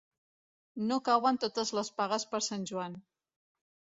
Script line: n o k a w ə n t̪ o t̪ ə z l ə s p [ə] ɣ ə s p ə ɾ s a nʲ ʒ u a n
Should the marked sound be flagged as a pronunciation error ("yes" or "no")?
yes